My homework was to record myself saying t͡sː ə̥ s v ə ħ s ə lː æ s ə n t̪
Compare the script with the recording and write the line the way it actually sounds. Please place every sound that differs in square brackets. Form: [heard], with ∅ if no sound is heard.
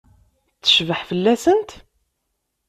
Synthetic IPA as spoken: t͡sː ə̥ [ʃ] v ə ħ [f] ə lː æ s ə n t̪